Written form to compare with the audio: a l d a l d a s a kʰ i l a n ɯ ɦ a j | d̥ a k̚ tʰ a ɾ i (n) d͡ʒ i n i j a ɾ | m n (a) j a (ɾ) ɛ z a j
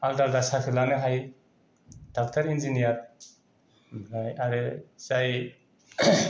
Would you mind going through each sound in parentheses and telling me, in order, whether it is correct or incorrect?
correct, correct, correct

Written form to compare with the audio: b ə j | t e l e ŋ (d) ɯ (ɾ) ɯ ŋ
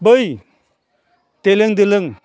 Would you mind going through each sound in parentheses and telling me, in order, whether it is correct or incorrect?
correct, incorrect

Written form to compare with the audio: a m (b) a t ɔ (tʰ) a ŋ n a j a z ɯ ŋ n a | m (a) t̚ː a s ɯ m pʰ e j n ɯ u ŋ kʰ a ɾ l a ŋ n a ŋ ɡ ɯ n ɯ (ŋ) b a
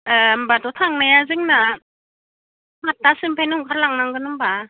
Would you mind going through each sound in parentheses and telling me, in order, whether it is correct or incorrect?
correct, correct, correct, incorrect

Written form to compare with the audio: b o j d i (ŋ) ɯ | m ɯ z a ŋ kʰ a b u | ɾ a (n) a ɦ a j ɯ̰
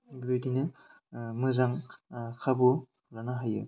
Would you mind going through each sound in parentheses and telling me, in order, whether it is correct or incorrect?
incorrect, correct

